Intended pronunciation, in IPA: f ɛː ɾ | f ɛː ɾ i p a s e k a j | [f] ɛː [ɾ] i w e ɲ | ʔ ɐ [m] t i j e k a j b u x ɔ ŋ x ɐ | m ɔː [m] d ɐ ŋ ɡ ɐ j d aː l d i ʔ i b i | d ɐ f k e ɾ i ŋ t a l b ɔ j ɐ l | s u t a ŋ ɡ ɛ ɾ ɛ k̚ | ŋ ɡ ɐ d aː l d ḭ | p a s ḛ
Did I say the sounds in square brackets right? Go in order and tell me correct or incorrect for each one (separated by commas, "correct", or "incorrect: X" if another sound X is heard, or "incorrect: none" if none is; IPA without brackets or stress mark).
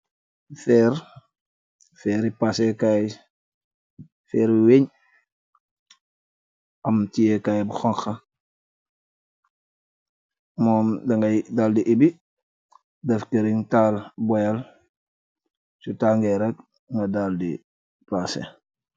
correct, correct, correct, correct